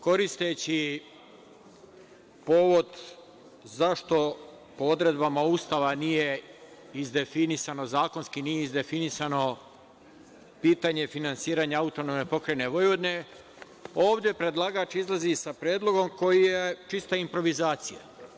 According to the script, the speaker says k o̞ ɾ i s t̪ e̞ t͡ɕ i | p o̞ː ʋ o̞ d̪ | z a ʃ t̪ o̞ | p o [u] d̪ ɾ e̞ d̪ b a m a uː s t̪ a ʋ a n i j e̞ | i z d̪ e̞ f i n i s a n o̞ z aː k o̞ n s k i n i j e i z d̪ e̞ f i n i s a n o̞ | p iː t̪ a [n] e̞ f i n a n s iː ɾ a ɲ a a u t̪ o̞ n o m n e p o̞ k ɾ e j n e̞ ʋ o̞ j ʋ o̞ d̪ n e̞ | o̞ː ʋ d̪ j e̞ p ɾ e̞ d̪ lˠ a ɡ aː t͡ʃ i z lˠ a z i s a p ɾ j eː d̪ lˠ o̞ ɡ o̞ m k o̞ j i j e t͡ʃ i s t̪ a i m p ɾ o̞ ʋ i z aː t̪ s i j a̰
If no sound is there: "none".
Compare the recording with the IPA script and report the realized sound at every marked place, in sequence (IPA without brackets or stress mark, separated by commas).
o, ɲ